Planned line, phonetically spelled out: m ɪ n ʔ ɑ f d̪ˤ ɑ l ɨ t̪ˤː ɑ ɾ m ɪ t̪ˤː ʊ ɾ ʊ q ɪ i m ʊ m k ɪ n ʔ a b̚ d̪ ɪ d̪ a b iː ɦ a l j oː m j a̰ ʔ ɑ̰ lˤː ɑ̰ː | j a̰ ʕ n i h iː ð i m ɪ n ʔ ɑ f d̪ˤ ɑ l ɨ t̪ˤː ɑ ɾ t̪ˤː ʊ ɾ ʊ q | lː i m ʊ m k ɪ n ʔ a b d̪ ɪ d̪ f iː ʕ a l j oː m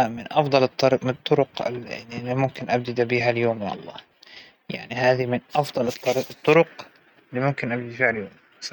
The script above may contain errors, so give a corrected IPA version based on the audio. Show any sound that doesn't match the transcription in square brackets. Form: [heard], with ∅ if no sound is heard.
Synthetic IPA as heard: m ɪ n ʔ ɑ f d̪ˤ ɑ l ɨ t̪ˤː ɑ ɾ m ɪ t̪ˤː ʊ ɾ ʊ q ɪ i m ʊ m k ɪ n ʔ a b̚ d̪ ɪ d̪ a b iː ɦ a l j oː m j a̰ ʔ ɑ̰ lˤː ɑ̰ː | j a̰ ʕ n i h [aː] ð i m ɪ n ʔ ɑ f d̪ˤ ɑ l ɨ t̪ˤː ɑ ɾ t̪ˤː ʊ ɾ ʊ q | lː i m ʊ m k ɪ n ʔ a b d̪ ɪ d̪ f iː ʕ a l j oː m